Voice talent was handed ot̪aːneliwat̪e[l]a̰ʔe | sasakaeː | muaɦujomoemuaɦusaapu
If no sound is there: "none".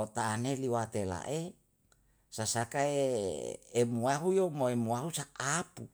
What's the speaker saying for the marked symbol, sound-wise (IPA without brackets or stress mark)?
l